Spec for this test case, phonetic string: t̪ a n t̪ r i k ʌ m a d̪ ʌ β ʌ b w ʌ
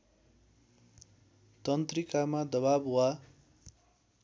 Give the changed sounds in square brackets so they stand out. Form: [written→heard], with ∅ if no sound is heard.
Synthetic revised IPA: t̪ [a→ʌ] n t̪ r i k [ʌ→a] m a d̪ ʌ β [ʌ→a] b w [ʌ→a]